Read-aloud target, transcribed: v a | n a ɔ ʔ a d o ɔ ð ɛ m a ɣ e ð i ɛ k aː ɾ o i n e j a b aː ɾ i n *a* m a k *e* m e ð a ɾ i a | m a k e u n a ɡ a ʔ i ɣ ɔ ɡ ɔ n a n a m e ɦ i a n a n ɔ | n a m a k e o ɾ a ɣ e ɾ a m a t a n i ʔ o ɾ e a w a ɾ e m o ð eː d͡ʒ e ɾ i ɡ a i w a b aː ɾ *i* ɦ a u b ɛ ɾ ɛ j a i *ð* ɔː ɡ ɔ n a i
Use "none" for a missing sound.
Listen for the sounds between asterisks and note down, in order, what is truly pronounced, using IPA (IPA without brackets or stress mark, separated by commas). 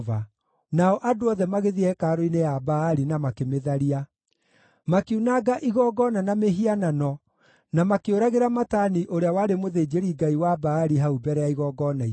a, e, i, ɣ